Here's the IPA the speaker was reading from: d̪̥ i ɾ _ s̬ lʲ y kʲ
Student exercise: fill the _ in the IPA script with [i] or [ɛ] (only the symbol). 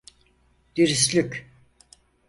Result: i